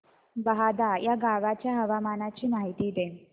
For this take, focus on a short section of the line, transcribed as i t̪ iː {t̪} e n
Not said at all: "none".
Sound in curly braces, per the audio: d̪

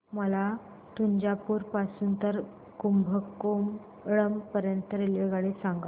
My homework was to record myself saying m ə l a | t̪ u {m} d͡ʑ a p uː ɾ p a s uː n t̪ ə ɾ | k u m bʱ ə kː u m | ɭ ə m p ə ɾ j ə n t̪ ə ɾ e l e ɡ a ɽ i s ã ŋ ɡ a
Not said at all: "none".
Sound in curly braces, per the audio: ɲ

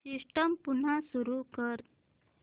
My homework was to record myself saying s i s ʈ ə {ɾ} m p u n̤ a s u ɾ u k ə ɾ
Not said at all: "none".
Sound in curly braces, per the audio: none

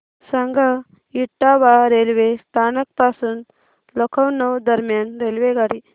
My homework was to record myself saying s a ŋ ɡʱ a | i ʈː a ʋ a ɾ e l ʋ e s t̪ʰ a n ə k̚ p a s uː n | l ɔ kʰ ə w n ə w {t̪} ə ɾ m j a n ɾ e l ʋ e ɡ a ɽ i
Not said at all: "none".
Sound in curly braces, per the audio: d̪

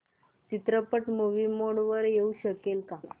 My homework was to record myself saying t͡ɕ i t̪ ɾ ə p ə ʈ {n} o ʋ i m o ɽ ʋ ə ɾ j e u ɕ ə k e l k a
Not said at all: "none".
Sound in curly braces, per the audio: m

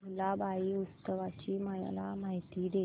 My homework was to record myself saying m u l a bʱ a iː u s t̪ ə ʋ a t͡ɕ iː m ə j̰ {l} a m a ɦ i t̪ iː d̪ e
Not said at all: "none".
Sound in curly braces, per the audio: l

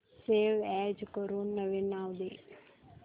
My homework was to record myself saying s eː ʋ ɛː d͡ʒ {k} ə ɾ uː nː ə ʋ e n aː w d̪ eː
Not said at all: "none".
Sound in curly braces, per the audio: k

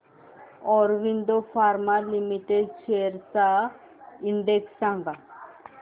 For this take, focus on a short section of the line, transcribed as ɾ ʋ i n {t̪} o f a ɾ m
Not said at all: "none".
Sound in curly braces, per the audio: d̪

